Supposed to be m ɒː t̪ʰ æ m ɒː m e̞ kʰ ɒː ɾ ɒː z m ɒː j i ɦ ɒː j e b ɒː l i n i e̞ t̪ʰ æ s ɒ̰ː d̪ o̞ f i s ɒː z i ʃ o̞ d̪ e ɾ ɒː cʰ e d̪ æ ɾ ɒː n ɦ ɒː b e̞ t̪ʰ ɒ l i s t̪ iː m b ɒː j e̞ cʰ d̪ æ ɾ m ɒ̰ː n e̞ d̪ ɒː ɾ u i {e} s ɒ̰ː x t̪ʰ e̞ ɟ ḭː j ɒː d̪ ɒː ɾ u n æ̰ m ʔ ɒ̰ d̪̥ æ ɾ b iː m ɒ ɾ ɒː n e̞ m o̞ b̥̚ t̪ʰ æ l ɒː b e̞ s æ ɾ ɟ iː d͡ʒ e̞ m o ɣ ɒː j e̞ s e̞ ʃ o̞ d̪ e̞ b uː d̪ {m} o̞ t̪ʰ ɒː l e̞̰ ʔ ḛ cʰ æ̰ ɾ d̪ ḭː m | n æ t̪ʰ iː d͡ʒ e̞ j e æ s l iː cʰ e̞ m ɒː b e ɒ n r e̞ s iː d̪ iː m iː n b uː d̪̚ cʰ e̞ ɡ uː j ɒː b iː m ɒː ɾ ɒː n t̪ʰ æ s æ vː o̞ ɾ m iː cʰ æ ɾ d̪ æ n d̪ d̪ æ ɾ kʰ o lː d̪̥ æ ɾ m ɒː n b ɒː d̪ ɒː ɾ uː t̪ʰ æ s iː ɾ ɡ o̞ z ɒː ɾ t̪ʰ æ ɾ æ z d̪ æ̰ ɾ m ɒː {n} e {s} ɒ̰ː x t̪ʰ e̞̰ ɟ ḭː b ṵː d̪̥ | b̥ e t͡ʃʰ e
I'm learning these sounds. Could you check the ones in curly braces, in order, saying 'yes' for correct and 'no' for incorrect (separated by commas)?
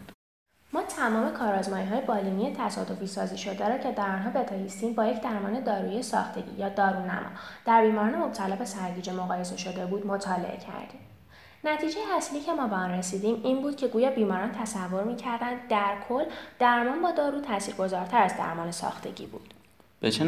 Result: yes, yes, yes, yes